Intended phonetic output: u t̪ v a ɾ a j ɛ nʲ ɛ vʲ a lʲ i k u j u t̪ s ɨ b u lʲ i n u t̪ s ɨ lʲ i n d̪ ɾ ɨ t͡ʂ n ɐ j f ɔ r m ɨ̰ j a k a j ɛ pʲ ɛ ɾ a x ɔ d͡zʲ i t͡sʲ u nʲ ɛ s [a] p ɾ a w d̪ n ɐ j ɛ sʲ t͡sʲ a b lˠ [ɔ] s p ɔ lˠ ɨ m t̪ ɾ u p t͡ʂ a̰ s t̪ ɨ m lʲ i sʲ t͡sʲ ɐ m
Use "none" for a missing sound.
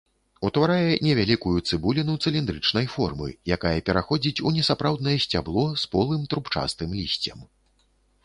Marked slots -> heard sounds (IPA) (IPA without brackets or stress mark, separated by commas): a, ɔ